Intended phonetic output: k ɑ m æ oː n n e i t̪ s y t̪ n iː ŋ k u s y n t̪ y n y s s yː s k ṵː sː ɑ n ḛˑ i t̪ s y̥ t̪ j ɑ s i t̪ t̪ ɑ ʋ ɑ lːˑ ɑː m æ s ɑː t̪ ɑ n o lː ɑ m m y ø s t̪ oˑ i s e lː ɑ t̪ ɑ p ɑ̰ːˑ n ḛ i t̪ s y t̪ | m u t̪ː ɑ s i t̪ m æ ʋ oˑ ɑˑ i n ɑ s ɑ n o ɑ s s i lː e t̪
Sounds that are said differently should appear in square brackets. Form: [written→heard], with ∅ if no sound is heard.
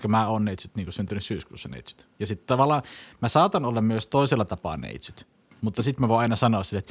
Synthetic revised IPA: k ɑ m æ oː n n e i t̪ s y t̪ n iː ŋ k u s y n t̪ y n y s s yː s k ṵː sː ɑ n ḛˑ i t̪ s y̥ t̪ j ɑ s i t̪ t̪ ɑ ʋ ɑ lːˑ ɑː m æ s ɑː t̪ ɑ n o lː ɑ m m y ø s t̪ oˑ i s e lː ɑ t̪ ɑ p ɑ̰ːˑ n ḛ i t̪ s y t̪ | m u t̪ː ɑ s i t̪ m æ ʋ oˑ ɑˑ i n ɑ s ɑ n o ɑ s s i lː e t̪